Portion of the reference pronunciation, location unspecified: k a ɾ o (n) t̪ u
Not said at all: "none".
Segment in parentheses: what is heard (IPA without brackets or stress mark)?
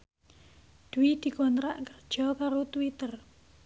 none